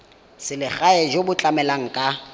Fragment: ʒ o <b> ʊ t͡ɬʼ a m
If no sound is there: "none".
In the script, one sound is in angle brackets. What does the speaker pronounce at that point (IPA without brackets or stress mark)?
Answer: b